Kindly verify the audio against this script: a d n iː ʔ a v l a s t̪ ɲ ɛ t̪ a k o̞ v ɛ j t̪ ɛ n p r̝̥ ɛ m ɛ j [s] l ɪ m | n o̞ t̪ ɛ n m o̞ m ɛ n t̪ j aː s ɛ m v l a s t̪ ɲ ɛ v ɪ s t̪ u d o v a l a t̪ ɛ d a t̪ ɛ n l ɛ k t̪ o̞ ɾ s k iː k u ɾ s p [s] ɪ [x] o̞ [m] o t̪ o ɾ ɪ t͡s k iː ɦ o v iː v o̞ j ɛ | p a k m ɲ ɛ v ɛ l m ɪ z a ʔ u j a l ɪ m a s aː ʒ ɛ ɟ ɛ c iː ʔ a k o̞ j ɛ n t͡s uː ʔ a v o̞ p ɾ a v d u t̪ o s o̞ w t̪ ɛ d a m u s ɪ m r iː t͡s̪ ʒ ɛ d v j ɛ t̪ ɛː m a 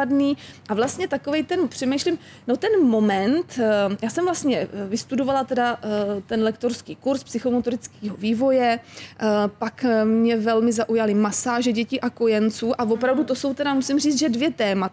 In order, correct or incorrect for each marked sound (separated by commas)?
incorrect, correct, correct, correct